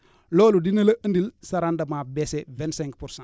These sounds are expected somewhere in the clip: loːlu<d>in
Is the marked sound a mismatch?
no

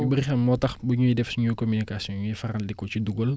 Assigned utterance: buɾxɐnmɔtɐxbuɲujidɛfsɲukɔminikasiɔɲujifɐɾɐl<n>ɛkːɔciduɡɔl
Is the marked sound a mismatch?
yes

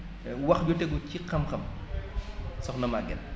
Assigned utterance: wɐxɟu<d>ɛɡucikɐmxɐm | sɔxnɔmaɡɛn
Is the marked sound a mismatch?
yes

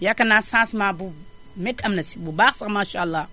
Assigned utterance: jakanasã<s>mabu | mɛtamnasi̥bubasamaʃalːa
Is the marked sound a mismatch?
no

